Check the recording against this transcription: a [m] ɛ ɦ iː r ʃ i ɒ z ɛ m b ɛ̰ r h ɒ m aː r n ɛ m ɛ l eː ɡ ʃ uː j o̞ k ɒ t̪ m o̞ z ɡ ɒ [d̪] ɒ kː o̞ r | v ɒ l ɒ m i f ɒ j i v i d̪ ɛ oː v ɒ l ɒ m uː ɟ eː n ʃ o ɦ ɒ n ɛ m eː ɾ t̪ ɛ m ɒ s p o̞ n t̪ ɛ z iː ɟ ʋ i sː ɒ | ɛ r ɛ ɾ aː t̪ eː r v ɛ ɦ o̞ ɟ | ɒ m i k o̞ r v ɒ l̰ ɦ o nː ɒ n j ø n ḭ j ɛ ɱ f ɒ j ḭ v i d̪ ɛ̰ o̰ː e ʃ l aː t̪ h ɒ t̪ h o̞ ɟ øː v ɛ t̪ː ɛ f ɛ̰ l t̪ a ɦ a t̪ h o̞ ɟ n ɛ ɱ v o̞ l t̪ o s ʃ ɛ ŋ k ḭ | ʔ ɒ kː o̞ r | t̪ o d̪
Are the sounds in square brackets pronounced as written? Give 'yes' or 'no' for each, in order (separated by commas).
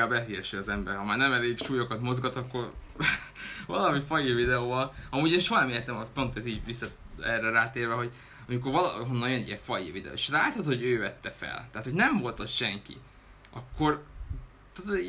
no, no